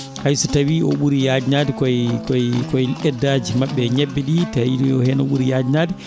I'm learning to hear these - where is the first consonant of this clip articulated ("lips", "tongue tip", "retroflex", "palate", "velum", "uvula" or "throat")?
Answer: throat